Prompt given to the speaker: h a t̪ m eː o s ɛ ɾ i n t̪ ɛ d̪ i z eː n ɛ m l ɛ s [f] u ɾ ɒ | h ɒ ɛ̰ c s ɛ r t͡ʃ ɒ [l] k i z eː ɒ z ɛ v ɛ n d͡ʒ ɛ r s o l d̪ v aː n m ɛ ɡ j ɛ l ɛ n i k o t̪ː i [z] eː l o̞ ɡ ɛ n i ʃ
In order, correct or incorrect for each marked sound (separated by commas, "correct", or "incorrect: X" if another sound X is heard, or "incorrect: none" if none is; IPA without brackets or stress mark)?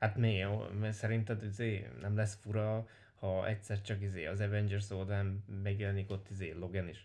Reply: correct, incorrect: none, correct